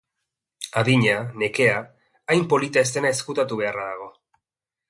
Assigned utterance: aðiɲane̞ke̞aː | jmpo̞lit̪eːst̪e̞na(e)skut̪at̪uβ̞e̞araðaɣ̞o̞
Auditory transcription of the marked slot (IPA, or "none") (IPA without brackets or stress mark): e